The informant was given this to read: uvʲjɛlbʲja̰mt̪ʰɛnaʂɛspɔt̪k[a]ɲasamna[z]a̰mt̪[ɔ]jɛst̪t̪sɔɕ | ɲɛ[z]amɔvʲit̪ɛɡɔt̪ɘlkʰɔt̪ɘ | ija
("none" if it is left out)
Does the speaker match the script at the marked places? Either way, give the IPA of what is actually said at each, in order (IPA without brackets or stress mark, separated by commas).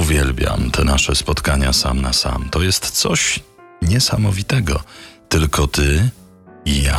a, s, ɔ, s